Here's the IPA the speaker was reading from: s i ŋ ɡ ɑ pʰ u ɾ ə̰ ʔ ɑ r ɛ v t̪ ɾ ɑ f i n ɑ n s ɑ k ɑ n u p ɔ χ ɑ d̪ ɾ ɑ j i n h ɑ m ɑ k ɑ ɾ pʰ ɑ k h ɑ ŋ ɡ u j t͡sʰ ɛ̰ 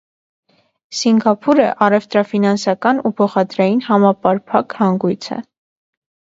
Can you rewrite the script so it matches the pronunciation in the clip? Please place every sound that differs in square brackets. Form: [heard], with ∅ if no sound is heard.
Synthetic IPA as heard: s i ŋ ɡ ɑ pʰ u ɾ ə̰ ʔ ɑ r ɛ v t̪ ɾ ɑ f i n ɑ n s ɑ k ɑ n u [pʰ] ɔ χ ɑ d̪ ɾ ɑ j i n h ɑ m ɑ [p] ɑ ɾ pʰ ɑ k h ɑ ŋ ɡ u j t͡sʰ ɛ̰